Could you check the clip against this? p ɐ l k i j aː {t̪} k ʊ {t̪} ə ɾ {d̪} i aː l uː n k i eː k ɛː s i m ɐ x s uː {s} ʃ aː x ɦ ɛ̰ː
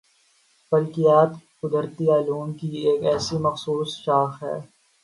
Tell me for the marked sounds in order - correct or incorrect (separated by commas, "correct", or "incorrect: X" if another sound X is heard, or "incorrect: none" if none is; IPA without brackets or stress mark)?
correct, incorrect: d̪, incorrect: t̪, correct